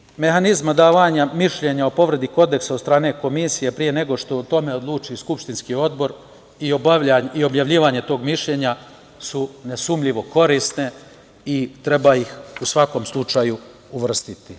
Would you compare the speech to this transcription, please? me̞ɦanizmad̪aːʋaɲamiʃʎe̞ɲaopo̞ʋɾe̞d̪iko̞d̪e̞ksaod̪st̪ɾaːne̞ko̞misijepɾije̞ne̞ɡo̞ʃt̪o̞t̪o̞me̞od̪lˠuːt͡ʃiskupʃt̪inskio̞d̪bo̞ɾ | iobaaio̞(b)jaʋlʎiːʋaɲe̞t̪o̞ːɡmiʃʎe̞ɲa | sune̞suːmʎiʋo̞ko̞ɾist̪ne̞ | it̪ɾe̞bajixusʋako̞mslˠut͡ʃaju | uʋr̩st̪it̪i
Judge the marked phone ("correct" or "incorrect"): correct